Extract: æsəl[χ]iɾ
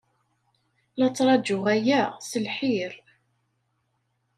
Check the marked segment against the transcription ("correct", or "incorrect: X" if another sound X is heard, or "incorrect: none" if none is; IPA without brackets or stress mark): incorrect: ħ